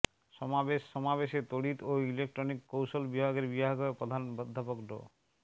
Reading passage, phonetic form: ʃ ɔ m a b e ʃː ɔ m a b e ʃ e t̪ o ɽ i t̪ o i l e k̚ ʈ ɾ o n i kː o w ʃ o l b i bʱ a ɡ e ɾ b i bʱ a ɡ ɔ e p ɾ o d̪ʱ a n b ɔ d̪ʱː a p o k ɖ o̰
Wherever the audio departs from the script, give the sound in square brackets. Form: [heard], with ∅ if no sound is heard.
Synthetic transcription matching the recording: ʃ ɔ m a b e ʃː ɔ m a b e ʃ e t̪ o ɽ i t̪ o i l e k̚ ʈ ɾ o n i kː o w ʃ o l b i bʱ a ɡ e ɾ b i bʱ a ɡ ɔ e p ɾ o d̪ʱ a n b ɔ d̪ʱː a p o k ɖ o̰